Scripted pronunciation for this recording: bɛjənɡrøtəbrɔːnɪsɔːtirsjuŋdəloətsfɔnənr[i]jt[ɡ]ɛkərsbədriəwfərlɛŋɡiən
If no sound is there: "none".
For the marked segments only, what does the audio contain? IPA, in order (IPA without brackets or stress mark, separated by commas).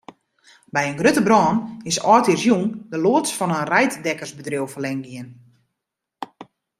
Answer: ɛ, d